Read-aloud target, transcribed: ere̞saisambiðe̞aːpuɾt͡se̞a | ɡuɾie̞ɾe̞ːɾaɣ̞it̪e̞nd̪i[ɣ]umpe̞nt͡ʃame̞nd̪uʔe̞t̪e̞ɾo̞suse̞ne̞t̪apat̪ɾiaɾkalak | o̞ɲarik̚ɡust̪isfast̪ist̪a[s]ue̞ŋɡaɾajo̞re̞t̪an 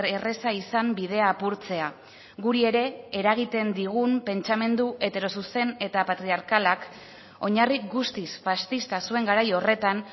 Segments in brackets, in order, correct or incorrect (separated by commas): correct, correct